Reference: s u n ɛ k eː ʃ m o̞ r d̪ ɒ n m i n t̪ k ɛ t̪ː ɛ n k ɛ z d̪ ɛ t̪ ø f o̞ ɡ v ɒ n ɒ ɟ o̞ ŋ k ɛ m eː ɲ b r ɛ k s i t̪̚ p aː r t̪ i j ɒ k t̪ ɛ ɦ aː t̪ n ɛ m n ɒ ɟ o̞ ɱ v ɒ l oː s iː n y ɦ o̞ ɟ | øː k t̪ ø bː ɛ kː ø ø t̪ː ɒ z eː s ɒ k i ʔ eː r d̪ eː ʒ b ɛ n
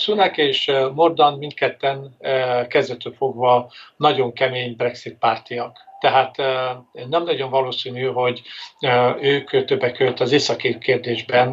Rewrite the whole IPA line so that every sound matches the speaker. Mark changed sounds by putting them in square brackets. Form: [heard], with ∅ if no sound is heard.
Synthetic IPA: s u n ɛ k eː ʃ m o̞ r d̪ ɒ n m i n t̪ k ɛ t̪ː ɛ n k ɛ z d̪ ɛ t̪ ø f o̞ ɡ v ɒ n ɒ ɟ o̞ ŋ k ɛ m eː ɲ b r ɛ k s i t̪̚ p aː r t̪ i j ɒ k t̪ ɛ ɦ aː t̪ n ɛ m n ɒ ɟ o̞ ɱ v ɒ l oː s iː n y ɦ o̞ ɟ | øː k t̪ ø bː ɛ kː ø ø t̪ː ɒ z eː s ɒ k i [k] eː r d̪ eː ʒ b ɛ n